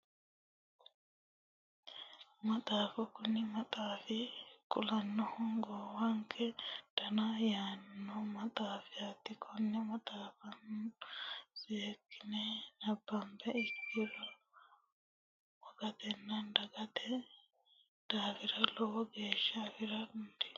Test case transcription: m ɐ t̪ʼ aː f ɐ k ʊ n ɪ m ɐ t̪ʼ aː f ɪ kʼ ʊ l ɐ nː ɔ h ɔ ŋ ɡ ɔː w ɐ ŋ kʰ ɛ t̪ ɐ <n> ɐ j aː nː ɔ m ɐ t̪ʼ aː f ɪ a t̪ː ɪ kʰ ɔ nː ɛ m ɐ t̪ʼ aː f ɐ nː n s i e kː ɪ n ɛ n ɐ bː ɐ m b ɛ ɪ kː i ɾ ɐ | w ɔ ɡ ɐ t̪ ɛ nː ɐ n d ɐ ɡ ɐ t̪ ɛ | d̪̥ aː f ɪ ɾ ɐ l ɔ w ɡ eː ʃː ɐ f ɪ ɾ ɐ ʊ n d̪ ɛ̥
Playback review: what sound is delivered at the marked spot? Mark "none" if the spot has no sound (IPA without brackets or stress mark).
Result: n